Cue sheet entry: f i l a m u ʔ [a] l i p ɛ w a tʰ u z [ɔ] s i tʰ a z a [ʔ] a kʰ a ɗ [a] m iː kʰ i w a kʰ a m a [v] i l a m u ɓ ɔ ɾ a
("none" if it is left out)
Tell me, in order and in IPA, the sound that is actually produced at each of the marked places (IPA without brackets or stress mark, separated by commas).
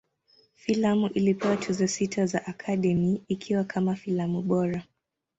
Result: i, ɔ, ʔ, ɛ, f